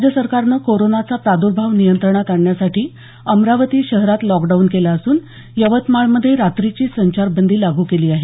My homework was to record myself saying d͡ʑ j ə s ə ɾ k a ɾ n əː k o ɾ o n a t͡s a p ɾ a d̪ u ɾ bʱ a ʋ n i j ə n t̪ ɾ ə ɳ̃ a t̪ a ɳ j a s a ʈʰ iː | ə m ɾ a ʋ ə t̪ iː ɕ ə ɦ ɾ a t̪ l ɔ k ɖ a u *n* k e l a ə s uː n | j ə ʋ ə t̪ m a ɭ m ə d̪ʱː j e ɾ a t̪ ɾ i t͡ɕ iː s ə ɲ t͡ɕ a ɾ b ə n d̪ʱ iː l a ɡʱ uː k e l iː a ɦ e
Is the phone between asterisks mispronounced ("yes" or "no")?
no